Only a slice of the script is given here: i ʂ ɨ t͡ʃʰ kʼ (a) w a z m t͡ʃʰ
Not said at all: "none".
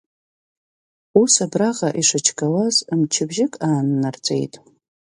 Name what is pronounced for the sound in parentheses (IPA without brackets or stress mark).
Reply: a